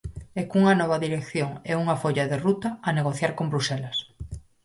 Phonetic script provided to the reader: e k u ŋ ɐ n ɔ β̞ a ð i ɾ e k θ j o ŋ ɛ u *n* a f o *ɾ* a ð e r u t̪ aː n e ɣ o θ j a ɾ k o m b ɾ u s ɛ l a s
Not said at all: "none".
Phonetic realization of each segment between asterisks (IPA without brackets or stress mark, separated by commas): ŋ, ʎ